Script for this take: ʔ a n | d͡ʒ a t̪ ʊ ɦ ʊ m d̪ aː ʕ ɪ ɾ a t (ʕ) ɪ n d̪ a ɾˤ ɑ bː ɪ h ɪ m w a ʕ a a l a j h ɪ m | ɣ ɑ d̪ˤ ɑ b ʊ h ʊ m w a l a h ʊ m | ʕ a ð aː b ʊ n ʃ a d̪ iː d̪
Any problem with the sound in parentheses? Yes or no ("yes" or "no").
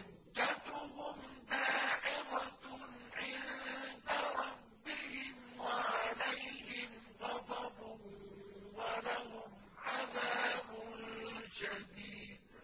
no